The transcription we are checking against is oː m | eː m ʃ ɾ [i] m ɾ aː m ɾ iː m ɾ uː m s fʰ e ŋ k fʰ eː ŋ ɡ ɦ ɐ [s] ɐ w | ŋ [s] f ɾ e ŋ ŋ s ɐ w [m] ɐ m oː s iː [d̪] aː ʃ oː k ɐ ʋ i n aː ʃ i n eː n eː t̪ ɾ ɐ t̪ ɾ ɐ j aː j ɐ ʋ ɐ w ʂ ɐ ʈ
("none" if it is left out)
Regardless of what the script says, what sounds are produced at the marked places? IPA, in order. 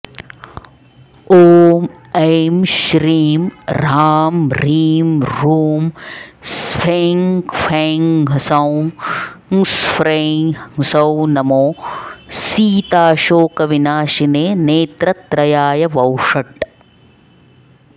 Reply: iː, s, s, n, t̪

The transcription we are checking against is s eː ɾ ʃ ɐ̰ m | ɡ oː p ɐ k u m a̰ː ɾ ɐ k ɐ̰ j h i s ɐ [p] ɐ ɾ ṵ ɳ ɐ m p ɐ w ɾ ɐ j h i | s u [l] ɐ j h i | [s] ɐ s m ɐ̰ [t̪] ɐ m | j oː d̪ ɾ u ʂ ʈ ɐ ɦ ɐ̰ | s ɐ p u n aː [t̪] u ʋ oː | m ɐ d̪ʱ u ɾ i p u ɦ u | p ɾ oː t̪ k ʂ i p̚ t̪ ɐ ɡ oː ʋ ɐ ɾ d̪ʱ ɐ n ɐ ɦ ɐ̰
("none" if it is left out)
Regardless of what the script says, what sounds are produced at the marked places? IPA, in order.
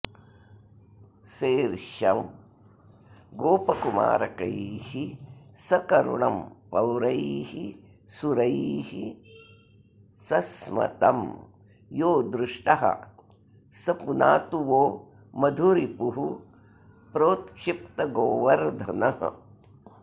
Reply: k, ɾ, s, t̪, t̪

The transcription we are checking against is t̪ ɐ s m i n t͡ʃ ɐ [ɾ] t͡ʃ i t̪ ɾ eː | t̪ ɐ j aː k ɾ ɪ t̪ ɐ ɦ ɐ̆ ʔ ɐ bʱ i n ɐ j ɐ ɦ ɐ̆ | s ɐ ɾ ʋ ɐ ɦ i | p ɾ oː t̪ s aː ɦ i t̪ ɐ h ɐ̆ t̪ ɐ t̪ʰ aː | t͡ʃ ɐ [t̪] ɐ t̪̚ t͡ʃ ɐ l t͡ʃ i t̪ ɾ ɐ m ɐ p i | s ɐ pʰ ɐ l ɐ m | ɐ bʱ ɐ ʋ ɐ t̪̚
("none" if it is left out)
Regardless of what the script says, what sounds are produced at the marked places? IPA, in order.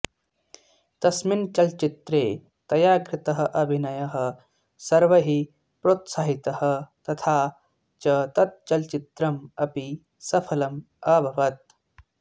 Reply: l, t̪

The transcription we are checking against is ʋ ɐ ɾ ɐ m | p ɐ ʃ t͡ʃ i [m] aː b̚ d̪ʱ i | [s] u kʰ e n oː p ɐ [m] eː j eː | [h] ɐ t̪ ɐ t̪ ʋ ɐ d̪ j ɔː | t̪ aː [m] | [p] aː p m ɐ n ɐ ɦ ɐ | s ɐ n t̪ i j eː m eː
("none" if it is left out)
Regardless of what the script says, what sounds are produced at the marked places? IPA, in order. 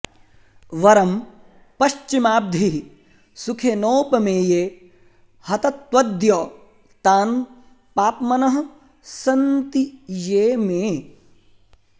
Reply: m, s, m, h, n, p

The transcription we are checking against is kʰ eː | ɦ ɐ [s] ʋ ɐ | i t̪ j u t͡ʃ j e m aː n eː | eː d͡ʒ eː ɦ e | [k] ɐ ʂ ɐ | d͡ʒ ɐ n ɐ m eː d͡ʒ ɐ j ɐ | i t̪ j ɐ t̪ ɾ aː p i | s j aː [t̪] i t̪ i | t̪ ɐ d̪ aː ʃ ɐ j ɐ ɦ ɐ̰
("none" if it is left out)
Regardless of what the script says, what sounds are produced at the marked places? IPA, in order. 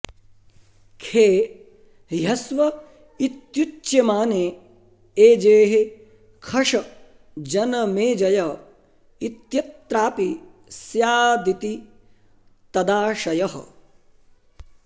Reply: s, kʰ, d̪

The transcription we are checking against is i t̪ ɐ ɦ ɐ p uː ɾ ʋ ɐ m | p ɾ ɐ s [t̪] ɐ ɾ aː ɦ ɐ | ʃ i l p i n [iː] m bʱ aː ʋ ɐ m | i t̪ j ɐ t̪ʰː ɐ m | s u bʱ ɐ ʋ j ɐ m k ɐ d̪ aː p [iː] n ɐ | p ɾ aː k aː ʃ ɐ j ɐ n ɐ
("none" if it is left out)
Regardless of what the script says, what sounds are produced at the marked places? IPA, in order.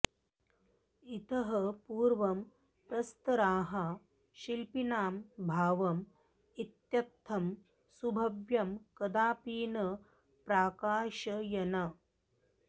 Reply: t̪, aː, iː

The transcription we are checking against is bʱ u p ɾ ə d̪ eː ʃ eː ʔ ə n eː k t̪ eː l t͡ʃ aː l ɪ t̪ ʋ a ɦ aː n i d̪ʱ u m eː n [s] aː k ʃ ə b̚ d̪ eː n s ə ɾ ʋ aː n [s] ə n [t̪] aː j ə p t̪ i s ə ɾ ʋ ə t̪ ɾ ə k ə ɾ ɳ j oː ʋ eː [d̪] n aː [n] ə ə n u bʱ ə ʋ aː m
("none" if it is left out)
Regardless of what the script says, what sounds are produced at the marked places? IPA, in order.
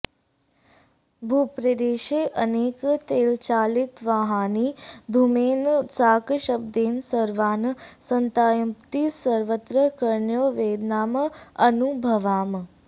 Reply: s, s, t̪, d̪, m

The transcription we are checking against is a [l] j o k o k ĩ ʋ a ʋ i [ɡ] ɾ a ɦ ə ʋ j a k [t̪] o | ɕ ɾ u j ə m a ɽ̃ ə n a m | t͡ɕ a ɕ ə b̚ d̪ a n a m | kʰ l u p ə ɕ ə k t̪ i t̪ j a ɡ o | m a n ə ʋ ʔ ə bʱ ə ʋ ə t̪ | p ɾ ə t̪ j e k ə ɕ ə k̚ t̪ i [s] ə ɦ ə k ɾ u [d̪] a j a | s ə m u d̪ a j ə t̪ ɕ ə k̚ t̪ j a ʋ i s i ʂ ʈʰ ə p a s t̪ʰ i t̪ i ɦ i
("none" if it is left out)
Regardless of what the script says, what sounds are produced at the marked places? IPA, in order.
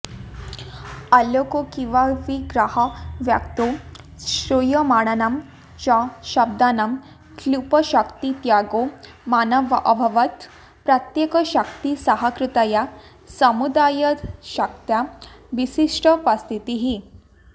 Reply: l, ɡ, t̪, s, t̪

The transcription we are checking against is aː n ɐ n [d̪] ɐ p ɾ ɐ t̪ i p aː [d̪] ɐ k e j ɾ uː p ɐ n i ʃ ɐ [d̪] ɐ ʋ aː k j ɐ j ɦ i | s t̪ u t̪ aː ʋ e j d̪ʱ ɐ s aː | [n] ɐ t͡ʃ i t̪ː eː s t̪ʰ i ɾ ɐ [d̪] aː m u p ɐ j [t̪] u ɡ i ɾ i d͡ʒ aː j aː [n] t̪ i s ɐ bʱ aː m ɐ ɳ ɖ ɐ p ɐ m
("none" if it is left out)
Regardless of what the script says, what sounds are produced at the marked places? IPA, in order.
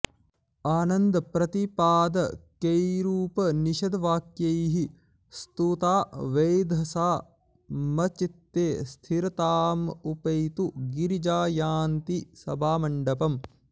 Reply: d̪, d̪, d̪, m, t̪, t̪, n

